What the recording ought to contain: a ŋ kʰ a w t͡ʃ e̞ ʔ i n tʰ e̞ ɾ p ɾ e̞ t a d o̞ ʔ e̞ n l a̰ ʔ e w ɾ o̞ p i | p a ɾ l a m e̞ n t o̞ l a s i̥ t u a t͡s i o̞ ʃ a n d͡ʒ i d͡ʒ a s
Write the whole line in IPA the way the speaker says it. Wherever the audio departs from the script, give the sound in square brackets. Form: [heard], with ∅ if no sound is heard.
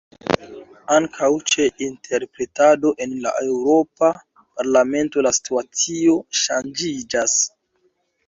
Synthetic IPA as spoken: a ŋ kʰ a w t͡ʃ e̞ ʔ i n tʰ e̞ ɾ p ɾ e̞ t a d o̞ ʔ e̞ n l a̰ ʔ e w ɾ o̞ p [a] | p a ɾ l a m e̞ n t o̞ l a s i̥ t u a t͡s i o̞ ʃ a n d͡ʒ i d͡ʒ a s